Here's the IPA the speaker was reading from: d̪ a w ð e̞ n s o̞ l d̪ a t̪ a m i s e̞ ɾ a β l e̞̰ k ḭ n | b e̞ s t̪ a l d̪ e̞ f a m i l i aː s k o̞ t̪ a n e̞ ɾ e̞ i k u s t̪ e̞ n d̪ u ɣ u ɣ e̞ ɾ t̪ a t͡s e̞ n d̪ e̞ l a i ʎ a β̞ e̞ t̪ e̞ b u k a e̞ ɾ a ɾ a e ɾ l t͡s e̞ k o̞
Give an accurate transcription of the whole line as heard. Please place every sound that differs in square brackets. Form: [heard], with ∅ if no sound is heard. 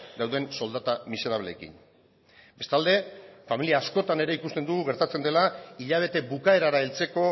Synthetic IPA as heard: d̪ a w ð e̞ n s o̞ l d̪ a t̪ a m i s e̞ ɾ a β l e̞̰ k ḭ n | b e̞ s t̪ a l d̪ e̞ f a m i l i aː s k o̞ t̪ a n e̞ ɾ e̞ i k u s t̪ e̞ n d̪ u ɣ u ɣ e̞ ɾ t̪ a t͡s e̞ n d̪ e̞ l a i ʎ a β̞ e̞ t̪ e̞ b u k a e̞ ɾ a ɾ a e [∅] l t͡s e̞ k o̞